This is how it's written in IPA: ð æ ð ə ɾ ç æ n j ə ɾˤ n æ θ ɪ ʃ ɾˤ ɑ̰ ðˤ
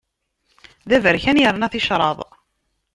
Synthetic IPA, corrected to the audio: ð æ v ə ɾ ç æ n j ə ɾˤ n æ θ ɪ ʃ ɾˤ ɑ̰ ðˤ